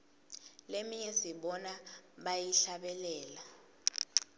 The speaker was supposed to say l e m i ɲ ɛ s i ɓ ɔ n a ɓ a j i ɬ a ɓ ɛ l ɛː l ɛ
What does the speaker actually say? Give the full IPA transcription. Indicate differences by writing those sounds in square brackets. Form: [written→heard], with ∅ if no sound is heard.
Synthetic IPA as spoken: l e m i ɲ ɛ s i ɓ ɔ n a ɓ a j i ɬ a ɓ ɛ l ɛː l [ɛ→a]